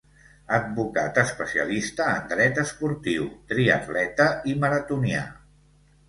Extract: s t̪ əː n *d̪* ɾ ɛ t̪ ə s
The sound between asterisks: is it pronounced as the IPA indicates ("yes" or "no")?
yes